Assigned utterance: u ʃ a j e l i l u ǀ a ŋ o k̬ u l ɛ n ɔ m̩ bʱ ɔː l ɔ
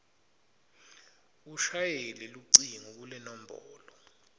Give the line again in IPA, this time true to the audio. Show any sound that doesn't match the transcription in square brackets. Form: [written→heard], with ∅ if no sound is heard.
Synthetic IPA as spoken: u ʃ a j e l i l u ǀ [a→i] ŋ [o→u] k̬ u l ɛ n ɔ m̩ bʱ ɔː l ɔ

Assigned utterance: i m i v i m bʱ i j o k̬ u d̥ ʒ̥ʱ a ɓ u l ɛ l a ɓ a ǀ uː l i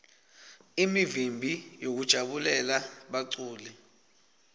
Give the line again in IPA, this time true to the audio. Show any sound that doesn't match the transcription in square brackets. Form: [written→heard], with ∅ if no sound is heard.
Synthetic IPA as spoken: i m i v i m bʱ i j o k̬ u d̥ ʒ̥ʱ a ɓ u l ɛ l a ɓ a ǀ uː l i

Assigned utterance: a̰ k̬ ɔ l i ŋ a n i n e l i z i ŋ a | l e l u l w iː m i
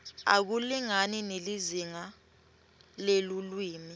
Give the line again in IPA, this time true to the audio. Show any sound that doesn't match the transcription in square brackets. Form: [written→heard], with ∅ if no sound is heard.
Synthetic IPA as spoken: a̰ k̬ [ɔ→u] l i ŋ a n i n e l i z i ŋ a | l e l u l w iː m i

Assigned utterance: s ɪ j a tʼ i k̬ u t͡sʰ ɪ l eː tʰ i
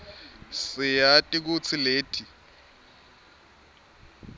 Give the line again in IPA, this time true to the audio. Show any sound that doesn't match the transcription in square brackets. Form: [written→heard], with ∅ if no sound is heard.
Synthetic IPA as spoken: s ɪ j a tʼ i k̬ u t͡sʰ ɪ l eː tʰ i

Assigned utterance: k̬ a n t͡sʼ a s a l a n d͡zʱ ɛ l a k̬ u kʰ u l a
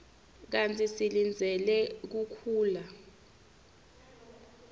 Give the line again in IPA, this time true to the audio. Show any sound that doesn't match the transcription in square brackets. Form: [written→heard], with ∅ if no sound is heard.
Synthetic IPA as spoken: k̬ a n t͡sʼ [a→i] s [a→i] l [a→i] n d͡zʱ ɛ l [a→ɛ] k̬ u kʰ [u→uː] l a

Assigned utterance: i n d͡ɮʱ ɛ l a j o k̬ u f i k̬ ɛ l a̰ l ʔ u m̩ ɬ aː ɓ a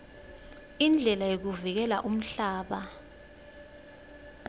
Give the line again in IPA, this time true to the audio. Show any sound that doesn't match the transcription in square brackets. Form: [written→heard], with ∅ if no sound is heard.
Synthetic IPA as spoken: i n d͡ɮʱ ɛ l a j o k̬ u [f→v] i k̬ ɛ l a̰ [l→∅] ʔ u m̩ ɬ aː ɓ a

